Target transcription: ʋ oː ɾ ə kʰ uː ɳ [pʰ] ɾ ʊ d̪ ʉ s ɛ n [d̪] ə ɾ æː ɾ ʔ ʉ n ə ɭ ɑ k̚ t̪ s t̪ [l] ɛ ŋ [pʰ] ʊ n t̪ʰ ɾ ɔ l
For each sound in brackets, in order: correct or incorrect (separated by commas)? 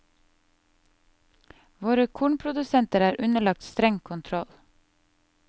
correct, incorrect, incorrect, incorrect